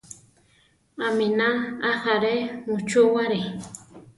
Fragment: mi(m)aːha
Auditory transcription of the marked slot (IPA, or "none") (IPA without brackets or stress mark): n